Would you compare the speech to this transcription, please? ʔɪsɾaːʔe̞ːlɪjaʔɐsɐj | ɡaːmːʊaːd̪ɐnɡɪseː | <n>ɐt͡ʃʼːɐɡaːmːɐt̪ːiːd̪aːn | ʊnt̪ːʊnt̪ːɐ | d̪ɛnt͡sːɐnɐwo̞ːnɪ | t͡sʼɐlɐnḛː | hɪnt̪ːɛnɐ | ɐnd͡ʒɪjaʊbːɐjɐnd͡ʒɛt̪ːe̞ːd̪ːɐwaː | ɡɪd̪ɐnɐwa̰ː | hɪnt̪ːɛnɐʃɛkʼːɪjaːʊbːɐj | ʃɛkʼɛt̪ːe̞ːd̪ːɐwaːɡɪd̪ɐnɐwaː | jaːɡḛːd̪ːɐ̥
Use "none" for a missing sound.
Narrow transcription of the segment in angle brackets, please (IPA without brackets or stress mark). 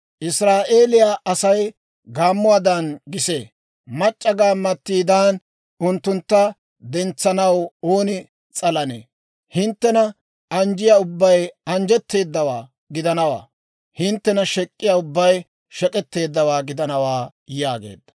m